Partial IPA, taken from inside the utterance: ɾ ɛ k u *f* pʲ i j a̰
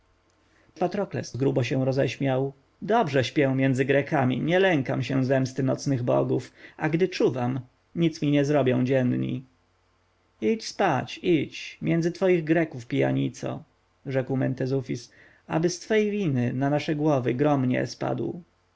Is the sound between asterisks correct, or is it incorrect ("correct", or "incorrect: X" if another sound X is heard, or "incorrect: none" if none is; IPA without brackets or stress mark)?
correct